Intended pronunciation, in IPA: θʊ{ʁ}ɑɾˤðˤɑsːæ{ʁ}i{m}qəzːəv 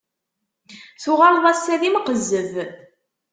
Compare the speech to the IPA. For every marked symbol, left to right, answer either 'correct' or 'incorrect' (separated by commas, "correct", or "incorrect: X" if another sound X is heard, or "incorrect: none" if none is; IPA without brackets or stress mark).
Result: correct, incorrect: ð, correct